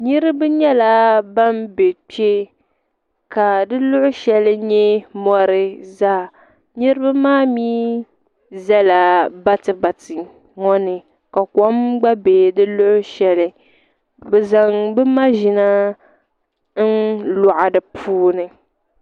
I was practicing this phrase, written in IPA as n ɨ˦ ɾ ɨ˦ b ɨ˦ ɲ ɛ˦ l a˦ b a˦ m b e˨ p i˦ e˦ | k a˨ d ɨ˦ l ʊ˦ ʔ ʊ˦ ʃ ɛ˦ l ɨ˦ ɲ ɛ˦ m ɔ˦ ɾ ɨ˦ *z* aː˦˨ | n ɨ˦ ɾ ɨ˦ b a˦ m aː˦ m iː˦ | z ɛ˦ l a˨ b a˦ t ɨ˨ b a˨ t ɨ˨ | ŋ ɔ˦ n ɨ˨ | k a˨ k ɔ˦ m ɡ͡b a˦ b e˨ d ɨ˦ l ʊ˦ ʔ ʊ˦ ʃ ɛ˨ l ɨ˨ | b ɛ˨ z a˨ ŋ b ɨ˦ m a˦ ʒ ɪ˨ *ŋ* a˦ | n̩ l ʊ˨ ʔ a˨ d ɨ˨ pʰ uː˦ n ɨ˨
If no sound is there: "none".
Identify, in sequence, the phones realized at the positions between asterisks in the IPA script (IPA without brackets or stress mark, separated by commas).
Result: z, n